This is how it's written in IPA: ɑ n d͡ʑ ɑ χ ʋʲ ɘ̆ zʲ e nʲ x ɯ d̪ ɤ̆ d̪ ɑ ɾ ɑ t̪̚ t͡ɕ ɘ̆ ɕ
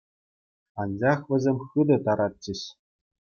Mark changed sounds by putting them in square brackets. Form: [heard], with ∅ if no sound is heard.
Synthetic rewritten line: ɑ n d͡ʑ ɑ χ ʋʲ ɘ̆ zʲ e [mʲ] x ɯ d̪ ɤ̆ [t̪] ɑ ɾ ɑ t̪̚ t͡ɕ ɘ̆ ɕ

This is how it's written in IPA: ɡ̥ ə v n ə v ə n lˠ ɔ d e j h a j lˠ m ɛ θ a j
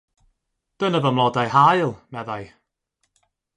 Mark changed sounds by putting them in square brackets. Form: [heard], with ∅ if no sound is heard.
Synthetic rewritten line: [d̥] ə [∅] n ə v ə [m] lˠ ɔ d [a] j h a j lˠ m ɛ [ð] a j

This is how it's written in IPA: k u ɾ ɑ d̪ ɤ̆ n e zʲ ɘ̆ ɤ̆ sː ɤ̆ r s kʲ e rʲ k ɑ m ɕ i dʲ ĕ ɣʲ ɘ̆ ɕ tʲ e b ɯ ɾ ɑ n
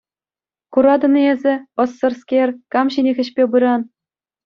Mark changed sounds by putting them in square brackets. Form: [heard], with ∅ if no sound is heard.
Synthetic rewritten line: k u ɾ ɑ d̪ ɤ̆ n e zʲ ɘ̆ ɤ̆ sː ɤ̆ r s kʲ e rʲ k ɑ m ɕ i [nʲ] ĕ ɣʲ ɘ̆ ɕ [pʲ] e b ɯ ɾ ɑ n

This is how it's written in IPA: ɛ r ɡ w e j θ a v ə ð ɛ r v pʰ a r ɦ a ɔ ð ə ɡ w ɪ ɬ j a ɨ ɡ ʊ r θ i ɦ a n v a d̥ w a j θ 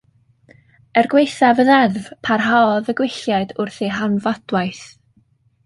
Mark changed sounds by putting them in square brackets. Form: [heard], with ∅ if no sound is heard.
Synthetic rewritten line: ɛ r ɡ w e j θ a v ə ð ɛ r v pʰ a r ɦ a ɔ ð ə ɡ w ɪ ɬ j a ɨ [d] ʊ r θ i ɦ a n v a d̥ w a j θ

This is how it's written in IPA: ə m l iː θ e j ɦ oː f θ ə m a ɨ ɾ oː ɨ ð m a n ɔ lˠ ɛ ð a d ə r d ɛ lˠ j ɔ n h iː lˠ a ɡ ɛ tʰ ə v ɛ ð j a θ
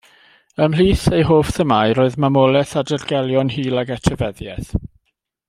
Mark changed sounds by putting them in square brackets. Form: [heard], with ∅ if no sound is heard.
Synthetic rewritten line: ə m l iː θ e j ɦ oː f θ ə m a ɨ ɾ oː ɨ ð m a [m] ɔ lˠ ɛ [θ] a d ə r [ɡ] ɛ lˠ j ɔ n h iː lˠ a ɡ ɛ tʰ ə v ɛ ð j [ɛ] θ

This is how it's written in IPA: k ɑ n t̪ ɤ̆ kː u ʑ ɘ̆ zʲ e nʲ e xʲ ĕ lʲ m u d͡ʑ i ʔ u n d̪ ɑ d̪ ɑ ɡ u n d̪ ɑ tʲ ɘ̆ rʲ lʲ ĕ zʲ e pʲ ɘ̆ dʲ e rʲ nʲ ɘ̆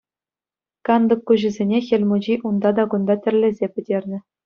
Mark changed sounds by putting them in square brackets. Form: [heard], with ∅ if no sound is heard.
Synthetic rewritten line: k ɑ n [d̪] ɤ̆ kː u ʑ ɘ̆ zʲ e nʲ e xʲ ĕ lʲ m u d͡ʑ i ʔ u n d̪ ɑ d̪ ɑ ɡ u n d̪ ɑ tʲ ɘ̆ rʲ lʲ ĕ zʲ e pʲ ɘ̆ dʲ e rʲ nʲ ɘ̆

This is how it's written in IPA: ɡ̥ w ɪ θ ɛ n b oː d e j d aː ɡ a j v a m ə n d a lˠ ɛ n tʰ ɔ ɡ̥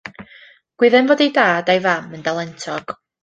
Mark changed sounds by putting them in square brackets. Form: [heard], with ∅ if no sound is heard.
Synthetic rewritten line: ɡ̥ w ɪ [ð] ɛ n [v] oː d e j d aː [d] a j v a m ə n d a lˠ ɛ n tʰ ɔ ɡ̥

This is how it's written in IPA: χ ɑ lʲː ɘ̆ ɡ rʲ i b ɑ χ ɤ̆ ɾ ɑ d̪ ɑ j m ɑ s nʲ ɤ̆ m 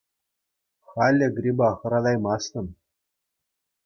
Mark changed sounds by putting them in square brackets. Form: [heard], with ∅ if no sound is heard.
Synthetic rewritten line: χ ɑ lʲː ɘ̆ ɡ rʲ i b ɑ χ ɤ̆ ɾ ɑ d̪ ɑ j m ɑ s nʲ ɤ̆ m

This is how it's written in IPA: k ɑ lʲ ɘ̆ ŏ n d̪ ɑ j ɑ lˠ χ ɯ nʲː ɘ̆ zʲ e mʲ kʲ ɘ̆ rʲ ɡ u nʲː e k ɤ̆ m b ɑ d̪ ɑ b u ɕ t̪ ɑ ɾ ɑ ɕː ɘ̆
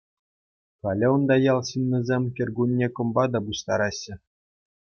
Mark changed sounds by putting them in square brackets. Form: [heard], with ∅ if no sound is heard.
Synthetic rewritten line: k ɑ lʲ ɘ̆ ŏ n d̪ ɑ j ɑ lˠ [ɕ] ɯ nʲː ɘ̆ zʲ e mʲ kʲ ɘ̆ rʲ ɡ u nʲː e k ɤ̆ m b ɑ d̪ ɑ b u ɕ t̪ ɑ ɾ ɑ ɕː ɘ̆

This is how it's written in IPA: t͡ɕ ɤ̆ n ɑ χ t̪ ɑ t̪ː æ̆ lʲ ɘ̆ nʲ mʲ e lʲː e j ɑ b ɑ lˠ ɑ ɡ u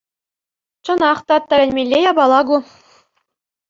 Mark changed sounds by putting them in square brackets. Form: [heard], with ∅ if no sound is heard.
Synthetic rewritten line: t͡ɕ ɤ̆ n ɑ χ t̪ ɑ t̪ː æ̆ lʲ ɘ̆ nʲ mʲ e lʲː e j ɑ b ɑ lˠ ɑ ɡ u

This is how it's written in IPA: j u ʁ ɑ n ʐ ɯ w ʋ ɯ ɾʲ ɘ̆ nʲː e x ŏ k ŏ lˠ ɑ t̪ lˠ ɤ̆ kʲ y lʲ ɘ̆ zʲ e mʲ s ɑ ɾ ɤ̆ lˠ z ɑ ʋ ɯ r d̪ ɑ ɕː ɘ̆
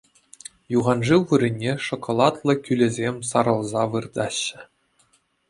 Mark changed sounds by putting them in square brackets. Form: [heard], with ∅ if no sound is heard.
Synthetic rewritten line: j u ʁ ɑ n ʐ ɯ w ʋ ɯ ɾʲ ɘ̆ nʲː e [ʂ] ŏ k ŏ lˠ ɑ t̪ lˠ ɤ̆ kʲ y lʲ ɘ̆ zʲ e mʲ s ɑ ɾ ɤ̆ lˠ z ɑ ʋ ɯ r d̪ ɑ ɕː ɘ̆

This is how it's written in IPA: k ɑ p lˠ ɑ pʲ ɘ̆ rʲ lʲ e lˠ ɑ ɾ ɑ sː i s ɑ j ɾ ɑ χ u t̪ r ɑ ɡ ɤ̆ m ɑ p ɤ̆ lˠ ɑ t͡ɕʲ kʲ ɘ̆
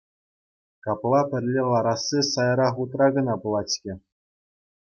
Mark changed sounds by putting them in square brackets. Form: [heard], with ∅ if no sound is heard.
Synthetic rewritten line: k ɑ p lˠ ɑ pʲ ɘ̆ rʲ lʲ e lˠ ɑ ɾ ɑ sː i s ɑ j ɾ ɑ χ u t̪ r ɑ ɡ ɤ̆ [n] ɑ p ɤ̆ lˠ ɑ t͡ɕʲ kʲ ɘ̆

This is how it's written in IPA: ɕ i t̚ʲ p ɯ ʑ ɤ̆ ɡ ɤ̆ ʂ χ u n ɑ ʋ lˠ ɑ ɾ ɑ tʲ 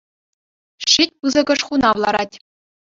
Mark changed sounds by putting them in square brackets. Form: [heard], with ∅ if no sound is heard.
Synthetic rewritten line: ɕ i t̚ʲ p ɯ [z] ɤ̆ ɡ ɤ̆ ʂ χ u n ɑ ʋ lˠ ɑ ɾ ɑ tʲ

